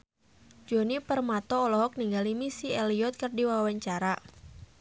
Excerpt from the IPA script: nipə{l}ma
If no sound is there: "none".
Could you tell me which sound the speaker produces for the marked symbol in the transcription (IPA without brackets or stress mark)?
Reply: r